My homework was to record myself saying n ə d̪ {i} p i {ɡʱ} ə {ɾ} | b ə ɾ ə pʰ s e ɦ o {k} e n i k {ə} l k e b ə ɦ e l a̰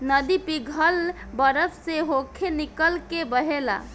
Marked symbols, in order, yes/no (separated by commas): yes, yes, no, no, yes